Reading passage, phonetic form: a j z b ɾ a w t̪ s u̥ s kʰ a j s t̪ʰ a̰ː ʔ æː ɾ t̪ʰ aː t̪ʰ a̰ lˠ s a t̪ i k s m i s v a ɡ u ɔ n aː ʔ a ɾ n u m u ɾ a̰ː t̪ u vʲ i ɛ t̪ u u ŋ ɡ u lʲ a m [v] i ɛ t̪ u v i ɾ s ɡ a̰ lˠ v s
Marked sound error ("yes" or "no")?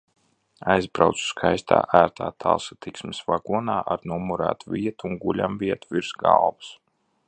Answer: no